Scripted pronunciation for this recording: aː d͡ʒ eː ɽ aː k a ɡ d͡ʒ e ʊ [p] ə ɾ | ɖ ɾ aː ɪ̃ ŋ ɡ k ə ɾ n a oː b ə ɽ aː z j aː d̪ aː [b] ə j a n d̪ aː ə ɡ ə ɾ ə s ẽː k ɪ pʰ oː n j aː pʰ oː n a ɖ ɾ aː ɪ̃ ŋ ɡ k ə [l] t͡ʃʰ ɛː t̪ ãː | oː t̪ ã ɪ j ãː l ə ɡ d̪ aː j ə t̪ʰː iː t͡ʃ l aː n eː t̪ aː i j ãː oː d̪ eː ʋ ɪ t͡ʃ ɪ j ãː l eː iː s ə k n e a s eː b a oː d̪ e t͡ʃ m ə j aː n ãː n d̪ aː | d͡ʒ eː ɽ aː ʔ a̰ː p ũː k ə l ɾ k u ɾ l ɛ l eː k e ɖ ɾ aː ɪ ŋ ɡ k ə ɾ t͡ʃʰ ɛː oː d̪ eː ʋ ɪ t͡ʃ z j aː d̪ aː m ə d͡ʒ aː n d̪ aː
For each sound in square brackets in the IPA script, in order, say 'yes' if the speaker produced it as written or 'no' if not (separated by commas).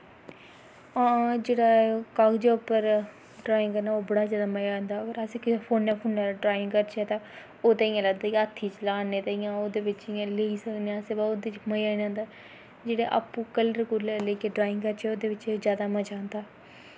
yes, no, no